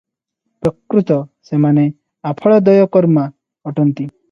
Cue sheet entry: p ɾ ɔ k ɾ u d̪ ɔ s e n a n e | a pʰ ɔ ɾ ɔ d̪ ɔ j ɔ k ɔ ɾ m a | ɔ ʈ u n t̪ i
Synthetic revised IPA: p ɾ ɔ k ɾ u t̪ ɔ s e m a n e | a pʰ ɔ ɭ ɔ d̪ ɔ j ɔ k ɔ ɾ m a | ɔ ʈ ɔ n t̪ i